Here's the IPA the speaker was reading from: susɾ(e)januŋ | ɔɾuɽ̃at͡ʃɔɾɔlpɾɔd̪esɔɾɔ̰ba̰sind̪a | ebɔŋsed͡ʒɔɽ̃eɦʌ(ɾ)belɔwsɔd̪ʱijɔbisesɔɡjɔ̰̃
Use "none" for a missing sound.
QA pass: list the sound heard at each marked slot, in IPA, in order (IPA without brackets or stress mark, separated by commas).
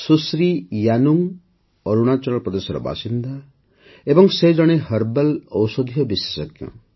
i, ɾ